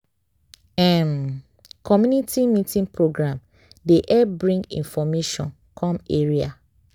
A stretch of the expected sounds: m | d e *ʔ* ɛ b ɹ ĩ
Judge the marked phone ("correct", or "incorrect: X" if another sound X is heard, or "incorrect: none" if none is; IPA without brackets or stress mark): correct